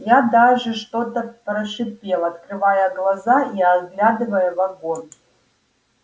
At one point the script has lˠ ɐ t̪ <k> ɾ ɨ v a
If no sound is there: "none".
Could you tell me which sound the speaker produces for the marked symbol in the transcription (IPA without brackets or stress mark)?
k